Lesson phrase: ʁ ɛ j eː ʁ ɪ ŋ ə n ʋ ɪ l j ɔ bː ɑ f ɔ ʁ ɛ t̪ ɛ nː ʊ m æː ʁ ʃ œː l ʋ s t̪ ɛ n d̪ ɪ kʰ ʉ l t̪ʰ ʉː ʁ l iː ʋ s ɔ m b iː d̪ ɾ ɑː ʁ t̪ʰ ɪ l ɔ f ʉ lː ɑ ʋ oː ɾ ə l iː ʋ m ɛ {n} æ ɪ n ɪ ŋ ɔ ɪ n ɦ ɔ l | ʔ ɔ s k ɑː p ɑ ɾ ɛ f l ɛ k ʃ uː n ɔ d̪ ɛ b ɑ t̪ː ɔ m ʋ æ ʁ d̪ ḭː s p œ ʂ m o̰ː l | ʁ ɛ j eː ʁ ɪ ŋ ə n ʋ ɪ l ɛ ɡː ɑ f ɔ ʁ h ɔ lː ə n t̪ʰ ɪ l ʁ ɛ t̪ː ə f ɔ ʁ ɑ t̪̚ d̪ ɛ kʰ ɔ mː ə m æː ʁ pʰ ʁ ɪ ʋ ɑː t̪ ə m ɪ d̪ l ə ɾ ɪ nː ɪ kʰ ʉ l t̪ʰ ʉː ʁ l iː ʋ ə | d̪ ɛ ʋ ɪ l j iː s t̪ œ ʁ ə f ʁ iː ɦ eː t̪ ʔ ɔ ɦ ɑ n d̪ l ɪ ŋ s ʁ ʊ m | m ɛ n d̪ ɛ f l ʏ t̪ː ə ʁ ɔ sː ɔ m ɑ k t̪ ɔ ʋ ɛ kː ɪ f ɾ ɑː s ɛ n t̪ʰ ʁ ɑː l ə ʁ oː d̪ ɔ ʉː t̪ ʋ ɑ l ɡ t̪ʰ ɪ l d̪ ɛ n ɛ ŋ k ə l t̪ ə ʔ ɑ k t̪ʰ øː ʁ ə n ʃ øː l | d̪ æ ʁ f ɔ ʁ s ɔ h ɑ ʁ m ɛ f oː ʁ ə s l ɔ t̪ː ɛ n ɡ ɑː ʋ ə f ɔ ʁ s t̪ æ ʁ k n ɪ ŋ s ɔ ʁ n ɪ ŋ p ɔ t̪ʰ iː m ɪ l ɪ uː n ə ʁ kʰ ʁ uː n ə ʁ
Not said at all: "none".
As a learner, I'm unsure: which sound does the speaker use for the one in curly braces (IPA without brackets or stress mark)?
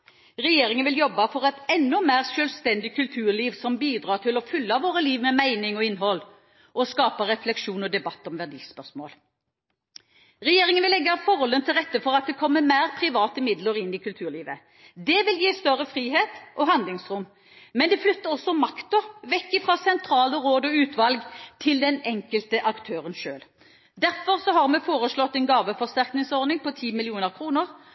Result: m